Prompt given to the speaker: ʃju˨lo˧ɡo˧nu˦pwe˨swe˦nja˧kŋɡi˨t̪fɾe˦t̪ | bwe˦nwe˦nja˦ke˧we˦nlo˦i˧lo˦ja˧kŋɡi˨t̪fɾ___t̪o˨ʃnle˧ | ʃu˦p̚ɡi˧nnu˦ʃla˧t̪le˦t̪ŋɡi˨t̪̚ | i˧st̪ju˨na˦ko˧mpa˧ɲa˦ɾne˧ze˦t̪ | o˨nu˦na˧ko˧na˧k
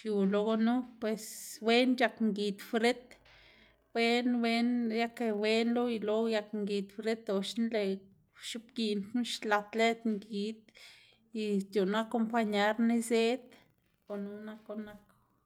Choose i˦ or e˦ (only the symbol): e˦